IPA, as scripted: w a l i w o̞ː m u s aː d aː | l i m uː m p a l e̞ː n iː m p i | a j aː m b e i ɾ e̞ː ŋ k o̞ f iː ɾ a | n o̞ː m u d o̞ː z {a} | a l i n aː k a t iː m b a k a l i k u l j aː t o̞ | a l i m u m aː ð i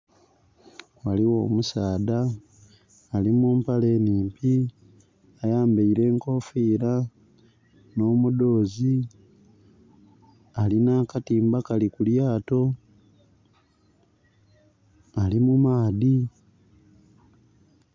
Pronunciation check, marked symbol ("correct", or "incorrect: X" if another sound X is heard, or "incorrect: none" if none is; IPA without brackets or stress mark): incorrect: i